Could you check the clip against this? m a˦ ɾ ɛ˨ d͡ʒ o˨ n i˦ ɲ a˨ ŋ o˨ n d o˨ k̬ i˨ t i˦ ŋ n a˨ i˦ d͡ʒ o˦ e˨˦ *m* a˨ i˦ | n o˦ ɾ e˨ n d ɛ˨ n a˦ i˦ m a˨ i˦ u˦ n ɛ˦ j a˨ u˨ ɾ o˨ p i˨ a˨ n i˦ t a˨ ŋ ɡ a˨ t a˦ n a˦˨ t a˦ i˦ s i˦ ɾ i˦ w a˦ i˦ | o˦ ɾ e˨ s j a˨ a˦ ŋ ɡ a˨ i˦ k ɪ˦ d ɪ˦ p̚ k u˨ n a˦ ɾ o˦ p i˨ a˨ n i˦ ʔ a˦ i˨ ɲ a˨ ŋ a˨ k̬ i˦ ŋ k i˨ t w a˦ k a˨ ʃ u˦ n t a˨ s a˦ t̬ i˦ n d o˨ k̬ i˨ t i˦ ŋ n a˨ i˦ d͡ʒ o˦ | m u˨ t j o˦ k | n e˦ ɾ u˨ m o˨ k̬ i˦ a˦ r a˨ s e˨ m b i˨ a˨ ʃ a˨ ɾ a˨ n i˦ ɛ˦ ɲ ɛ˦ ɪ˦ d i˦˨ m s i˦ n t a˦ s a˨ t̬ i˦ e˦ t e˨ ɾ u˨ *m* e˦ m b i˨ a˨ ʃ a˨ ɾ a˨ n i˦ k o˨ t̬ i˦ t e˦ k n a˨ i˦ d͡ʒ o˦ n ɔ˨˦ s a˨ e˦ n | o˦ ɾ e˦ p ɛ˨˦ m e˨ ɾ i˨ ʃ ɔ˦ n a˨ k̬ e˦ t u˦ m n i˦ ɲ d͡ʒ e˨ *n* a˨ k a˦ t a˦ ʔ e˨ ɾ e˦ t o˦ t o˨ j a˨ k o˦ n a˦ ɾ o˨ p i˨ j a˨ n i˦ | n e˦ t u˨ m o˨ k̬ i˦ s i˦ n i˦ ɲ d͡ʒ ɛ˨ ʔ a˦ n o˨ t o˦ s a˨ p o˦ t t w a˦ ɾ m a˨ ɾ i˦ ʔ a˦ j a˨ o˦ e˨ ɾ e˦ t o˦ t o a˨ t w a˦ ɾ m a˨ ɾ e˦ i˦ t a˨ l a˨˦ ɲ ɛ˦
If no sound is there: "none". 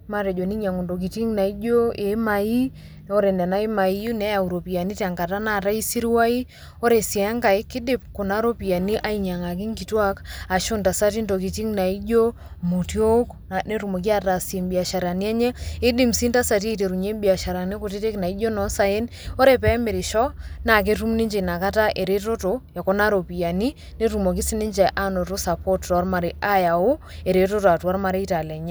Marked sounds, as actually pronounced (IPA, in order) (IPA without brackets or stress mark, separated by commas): m, ɲ, n